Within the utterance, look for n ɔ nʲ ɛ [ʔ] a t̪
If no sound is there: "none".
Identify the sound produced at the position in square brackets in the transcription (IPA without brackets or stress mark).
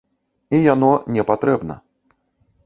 p